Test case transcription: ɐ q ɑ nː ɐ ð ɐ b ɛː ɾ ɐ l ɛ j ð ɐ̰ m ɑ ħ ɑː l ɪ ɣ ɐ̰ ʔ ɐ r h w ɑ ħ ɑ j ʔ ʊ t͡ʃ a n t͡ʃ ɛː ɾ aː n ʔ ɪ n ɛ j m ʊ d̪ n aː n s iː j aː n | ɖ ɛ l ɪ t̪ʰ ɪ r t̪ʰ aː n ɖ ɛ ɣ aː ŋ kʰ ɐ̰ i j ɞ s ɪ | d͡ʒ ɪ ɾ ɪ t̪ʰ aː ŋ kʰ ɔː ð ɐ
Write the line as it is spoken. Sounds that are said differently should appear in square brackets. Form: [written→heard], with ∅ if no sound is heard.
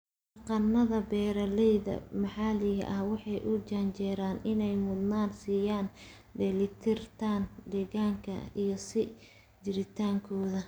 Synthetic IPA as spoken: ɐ q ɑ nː ɐ ð ɐ b ɛː ɾ ɐ l ɛ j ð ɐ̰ m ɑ ħ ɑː l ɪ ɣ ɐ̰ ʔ ɐ [r→∅] h w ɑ ħ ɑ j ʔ ʊ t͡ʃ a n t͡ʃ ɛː ɾ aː n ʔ ɪ n ɛ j m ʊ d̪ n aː n s iː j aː n | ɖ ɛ l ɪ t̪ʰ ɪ r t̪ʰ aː n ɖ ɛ ɣ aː ŋ kʰ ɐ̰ i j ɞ s ɪ | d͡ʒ ɪ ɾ ɪ t̪ʰ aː ŋ kʰ ɔː ð ɐ